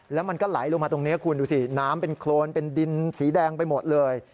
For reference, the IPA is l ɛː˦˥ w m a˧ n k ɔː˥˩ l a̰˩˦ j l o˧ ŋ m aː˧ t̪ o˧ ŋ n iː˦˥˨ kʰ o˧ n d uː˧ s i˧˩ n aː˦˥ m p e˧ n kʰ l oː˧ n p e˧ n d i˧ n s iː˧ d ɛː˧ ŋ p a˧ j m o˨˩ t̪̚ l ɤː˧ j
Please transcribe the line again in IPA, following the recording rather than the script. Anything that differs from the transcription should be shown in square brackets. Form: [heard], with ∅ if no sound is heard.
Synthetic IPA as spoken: l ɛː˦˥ w m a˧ n k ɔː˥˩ l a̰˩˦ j l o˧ ŋ m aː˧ t̪ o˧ ŋ n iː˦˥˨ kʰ [u˧] n d uː˧ s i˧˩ n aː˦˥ m p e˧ n kʰ l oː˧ n p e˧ n d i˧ n s [iː˩˦] d ɛː˧ ŋ p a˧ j m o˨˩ t̪̚ l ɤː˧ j